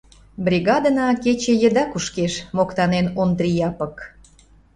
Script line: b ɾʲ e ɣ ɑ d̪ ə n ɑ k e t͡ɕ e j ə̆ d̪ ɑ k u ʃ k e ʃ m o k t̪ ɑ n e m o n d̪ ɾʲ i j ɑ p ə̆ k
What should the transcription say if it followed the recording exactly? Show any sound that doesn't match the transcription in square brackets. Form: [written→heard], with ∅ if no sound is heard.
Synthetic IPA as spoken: b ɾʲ [e→i] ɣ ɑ d̪ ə n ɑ k e t͡ɕ e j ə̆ d̪ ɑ k u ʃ k e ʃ m o k t̪ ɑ n e [m→n] o n d̪ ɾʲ i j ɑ p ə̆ k